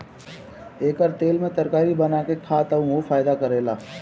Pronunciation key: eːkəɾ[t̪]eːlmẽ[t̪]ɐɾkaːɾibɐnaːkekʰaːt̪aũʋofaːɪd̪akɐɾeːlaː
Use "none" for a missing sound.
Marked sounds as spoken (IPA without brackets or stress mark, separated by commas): t̪, t̪